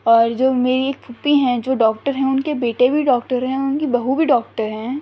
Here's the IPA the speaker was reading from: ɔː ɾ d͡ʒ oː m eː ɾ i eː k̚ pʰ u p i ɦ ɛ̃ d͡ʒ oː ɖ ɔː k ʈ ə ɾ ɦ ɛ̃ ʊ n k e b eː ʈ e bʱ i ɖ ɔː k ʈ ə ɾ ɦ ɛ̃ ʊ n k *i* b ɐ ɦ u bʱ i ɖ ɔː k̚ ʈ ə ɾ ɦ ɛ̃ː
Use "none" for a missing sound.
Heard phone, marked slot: i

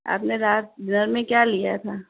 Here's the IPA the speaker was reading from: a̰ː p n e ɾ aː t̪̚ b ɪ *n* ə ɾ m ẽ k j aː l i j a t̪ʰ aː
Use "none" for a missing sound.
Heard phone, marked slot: n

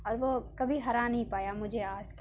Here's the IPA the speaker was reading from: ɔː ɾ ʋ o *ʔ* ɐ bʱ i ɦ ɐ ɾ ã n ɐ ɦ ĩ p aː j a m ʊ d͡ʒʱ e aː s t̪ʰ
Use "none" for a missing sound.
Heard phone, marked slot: k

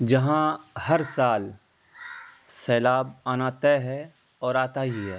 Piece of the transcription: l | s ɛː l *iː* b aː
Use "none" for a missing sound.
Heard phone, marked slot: aː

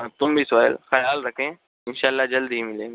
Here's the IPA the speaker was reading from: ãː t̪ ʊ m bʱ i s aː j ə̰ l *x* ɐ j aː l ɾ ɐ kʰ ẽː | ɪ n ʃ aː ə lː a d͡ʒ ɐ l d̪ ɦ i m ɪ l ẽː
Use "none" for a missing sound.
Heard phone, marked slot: x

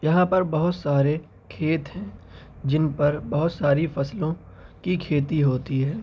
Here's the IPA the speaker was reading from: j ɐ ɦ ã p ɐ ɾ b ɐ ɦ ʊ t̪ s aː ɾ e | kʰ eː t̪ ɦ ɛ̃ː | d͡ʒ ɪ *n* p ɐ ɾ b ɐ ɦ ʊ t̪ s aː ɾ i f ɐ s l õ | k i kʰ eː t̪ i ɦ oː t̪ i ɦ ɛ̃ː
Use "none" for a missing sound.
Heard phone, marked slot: n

